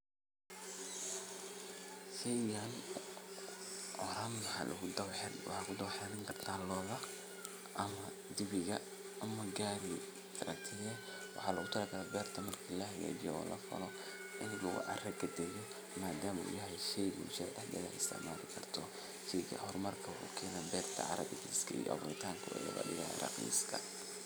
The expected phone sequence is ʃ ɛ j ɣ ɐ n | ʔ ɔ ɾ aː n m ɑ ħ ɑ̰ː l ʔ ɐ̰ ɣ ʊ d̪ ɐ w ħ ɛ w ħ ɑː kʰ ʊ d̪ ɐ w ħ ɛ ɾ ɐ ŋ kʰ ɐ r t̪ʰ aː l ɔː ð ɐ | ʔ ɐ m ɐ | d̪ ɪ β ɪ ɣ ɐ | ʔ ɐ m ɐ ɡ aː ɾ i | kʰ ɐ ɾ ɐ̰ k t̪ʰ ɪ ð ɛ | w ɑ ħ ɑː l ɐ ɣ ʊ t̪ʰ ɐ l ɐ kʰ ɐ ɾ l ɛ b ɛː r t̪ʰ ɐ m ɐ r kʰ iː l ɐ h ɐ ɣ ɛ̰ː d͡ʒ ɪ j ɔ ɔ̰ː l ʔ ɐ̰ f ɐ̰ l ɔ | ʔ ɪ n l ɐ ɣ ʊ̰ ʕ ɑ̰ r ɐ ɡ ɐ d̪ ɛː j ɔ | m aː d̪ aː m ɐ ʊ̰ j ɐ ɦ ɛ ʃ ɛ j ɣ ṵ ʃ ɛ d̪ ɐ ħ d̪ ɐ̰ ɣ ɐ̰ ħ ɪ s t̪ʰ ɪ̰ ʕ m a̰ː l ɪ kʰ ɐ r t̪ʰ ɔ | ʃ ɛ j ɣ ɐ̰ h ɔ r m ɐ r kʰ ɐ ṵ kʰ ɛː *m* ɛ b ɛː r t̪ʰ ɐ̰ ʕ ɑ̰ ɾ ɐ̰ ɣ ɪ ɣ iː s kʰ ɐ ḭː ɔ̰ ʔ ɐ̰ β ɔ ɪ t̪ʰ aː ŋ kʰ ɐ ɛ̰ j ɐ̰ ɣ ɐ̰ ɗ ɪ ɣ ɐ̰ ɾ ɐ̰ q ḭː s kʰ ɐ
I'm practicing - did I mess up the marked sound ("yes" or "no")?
yes